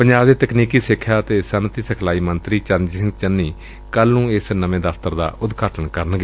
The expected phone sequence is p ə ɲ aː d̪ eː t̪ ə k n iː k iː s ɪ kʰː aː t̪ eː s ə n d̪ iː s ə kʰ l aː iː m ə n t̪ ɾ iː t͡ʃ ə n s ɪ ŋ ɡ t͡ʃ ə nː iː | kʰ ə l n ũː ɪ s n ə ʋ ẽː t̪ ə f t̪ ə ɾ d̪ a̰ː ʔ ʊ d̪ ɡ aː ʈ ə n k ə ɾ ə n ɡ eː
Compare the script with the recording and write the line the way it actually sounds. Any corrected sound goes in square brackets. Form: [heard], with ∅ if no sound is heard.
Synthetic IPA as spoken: p ə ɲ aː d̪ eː t̪ ə k n iː k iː s ɪ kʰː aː t̪ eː s ə n [t̪] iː s ə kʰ l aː iː m ə n t̪ ɾ iː t͡ʃ ə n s ɪ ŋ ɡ t͡ʃ ə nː iː | [k] ə l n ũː ɪ s n ə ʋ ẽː [d̪] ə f t̪ ə ɾ d̪ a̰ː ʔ ʊ d̪ ɡ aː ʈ ə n k ə ɾ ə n ɡ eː